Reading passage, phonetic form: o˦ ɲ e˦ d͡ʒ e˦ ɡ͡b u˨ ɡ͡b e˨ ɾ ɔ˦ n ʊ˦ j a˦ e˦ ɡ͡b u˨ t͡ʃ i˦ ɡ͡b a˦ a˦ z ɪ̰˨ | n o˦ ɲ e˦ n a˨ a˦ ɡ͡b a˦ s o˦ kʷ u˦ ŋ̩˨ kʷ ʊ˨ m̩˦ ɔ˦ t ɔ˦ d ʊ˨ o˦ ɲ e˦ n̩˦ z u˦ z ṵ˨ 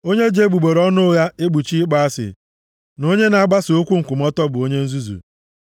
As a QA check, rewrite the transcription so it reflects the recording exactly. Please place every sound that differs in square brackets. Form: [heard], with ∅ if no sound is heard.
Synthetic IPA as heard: o˦ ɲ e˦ d͡ʒ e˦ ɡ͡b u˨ ɡ͡b e˨ ɾ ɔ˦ n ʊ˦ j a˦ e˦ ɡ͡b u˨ t͡ʃ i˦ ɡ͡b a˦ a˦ [s] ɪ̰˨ | n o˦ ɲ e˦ n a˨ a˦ ɡ͡b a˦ s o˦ kʷ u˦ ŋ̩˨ kʷ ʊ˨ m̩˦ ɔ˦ t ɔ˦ [b] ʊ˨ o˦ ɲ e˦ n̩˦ z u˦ z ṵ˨